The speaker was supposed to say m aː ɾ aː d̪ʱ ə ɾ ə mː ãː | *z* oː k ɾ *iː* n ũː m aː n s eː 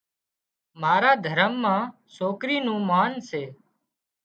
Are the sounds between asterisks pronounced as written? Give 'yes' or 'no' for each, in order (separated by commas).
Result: no, yes